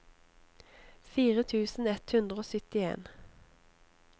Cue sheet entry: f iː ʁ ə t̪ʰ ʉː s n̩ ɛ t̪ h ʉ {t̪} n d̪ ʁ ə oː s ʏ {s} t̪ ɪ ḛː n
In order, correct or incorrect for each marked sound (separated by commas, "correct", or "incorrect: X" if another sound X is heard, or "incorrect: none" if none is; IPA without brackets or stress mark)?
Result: incorrect: none, incorrect: none